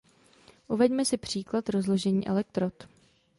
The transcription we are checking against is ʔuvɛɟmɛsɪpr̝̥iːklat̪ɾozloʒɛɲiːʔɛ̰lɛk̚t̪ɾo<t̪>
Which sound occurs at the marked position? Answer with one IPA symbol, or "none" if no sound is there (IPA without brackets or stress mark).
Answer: t̪